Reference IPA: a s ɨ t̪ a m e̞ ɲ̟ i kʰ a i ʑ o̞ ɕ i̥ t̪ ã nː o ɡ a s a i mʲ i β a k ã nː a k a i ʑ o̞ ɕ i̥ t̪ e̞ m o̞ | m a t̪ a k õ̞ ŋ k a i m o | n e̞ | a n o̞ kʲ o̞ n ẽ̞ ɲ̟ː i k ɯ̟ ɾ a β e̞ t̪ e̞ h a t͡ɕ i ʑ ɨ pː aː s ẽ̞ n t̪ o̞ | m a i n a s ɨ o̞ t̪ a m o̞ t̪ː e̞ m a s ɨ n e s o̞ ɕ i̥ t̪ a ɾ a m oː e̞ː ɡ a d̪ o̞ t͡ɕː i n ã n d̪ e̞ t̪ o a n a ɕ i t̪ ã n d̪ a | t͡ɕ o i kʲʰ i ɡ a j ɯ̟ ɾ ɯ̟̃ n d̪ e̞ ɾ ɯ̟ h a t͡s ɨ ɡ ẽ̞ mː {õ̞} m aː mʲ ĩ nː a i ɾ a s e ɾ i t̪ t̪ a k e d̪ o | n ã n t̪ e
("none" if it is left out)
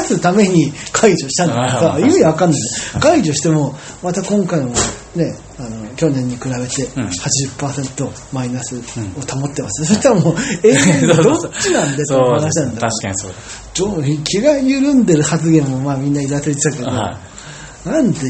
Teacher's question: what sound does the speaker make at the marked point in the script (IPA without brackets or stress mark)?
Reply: o̞